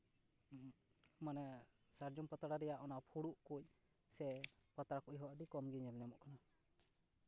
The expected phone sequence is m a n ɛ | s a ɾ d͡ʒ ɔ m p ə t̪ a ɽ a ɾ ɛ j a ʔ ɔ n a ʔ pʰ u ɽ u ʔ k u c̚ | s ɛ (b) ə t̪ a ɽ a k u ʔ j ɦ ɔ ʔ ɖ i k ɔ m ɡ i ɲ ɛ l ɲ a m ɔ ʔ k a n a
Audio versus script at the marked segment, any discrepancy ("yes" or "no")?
yes